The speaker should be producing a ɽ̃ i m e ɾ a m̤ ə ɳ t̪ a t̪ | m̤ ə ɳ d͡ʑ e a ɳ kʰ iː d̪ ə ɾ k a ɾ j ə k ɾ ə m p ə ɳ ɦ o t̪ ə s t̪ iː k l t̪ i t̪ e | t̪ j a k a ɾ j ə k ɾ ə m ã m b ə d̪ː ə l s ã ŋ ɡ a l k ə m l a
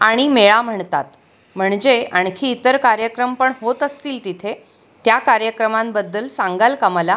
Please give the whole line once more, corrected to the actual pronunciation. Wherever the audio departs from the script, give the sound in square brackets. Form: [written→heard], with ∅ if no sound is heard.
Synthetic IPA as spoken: a ɽ̃ i m e [ɾ→ɭ] a m̤ ə ɳ t̪ a t̪ | m̤ ə ɳ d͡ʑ e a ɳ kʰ iː [d̪→t̪] ə ɾ k a ɾ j ə k ɾ ə m p ə ɳ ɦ o t̪ ə s t̪ iː [k→∅] l t̪ i [t̪→t̪ʰ] e | t̪ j a k a ɾ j ə k ɾ ə m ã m b ə d̪ː ə l s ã ŋ ɡ a l k ə m l a